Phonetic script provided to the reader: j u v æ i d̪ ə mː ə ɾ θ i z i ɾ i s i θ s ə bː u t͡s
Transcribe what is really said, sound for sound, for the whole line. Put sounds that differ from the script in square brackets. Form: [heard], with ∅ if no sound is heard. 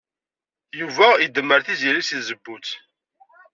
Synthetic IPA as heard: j u v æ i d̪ ə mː ə ɾ θ i z i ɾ i s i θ [z] ə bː u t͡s